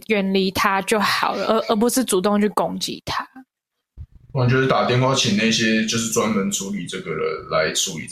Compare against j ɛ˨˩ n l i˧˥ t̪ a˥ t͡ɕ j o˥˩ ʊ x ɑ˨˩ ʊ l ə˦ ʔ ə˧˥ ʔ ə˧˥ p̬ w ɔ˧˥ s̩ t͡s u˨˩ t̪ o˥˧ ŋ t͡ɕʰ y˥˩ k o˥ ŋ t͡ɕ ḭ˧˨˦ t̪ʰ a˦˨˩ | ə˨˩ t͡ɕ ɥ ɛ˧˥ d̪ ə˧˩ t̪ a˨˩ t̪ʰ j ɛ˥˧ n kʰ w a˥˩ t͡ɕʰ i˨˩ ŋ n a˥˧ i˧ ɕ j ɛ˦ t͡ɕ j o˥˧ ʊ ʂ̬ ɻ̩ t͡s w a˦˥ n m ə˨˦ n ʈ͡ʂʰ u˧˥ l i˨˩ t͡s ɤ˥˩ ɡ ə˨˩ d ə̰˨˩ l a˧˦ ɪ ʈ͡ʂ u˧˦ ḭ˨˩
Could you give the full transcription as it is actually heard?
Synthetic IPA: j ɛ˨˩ n l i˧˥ t̪ʰ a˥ t͡ɕ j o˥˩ ʊ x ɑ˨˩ ʊ l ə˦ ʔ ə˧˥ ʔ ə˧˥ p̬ w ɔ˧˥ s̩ t͡s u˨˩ t̪ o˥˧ ŋ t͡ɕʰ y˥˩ k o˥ ŋ t͡ɕ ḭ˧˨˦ t̪ʰ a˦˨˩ | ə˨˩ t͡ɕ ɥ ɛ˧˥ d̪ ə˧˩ t̪ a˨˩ t̪ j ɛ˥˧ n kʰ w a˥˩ t͡ɕʰ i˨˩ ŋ n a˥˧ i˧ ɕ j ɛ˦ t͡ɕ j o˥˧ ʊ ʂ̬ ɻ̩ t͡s w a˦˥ n m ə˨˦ n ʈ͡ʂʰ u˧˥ l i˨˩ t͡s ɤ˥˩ ɡ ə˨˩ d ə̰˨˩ l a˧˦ ɪ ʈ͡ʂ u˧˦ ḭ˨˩